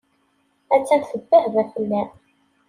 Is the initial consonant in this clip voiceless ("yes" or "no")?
yes